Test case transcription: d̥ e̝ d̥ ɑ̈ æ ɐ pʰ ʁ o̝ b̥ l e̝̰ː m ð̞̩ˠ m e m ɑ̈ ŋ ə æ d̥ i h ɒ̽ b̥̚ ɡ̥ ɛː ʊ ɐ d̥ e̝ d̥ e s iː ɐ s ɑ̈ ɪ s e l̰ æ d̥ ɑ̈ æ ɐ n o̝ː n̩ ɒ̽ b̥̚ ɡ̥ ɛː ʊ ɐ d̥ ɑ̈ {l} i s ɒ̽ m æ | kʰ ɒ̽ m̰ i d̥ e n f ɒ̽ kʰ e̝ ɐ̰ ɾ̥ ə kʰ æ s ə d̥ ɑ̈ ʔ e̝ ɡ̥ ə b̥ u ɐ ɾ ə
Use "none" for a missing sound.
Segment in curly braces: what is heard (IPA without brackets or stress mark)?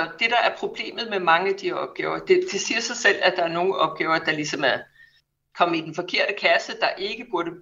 l